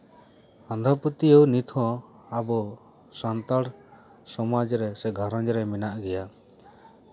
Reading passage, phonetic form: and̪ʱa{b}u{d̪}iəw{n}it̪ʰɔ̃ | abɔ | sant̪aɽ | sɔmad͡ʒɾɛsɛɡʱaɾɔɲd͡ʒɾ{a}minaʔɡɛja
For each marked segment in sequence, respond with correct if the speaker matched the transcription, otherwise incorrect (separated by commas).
incorrect, incorrect, correct, incorrect